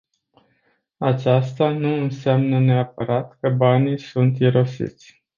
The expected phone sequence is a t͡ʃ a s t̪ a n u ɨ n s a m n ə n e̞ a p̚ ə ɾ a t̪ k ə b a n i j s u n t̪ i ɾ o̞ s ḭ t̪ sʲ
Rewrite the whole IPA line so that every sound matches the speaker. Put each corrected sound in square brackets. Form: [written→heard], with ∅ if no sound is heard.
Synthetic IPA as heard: a t͡ʃ a s t̪ a n u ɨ n s a m n ə n e̞ a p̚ ə ɾ a t̪ k ə b a n i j s u n t̪ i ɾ o̞ s ḭ t̪ sʲ